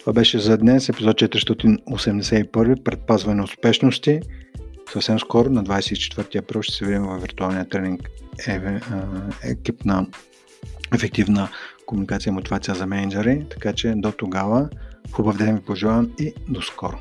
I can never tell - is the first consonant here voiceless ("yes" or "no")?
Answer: yes